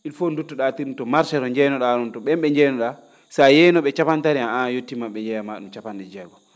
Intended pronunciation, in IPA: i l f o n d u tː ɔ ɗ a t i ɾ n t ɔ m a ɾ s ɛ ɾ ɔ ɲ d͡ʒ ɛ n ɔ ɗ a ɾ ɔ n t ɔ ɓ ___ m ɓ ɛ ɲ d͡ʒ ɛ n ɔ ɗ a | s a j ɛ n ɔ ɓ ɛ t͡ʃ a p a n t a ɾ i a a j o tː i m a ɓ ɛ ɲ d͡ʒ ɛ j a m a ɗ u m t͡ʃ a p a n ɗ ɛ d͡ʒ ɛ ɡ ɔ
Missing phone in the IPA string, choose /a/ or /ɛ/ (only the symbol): ɛ